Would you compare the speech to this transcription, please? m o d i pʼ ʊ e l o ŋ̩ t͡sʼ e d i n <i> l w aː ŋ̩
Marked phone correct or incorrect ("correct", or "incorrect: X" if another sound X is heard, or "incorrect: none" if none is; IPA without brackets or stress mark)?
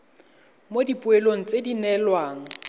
incorrect: ɛ